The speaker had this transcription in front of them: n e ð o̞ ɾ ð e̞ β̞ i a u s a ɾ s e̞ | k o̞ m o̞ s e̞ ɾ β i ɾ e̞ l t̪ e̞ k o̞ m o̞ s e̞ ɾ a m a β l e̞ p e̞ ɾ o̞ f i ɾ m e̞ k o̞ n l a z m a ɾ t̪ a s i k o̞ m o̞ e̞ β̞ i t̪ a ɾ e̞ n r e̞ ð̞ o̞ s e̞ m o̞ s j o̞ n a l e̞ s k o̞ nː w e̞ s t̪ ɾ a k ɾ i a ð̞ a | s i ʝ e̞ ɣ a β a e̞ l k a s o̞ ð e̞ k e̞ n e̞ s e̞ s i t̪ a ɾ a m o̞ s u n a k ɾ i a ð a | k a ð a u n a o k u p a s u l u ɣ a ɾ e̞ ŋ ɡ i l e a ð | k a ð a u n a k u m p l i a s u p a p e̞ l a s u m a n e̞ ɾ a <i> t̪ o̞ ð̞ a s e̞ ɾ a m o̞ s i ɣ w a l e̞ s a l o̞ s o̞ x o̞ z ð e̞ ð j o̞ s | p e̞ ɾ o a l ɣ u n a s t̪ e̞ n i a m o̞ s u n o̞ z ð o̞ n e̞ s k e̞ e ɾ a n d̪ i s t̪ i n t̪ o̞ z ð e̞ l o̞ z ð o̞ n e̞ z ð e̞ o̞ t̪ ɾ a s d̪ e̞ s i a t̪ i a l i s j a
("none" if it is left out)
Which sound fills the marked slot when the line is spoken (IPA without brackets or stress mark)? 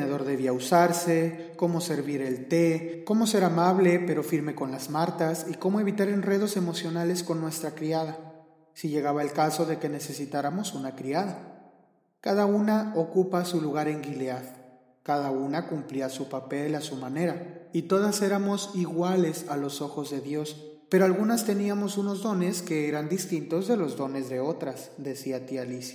i